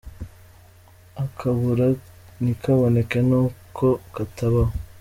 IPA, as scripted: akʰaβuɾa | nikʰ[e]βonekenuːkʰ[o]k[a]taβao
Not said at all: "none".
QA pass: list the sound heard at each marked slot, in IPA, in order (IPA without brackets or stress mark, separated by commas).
a, o, a